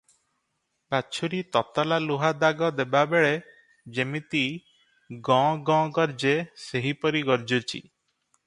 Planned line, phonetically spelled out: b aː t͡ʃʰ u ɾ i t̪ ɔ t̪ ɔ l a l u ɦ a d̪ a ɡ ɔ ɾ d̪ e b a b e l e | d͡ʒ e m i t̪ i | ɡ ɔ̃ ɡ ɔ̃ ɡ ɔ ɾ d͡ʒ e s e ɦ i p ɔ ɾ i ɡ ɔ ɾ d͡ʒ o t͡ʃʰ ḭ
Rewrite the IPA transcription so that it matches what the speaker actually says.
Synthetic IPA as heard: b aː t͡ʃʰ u ɾ i t̪ ɔ t̪ ɔ l a l u ɦ a d̪ a ɡ ɔ d̪ e b a b e ɭ e | d͡ʒ e m i t̪ i | ɡ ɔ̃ ɡ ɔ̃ ɡ ɔ ɾ d͡ʒ e s e ɦ i p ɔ ɾ i ɡ ɔ ɾ d͡ʒ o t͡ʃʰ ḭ